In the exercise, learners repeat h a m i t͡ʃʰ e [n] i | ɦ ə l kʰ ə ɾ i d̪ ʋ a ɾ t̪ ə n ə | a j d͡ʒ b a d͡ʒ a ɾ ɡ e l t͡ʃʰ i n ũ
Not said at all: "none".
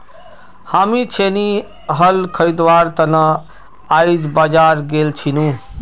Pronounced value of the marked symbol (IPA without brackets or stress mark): n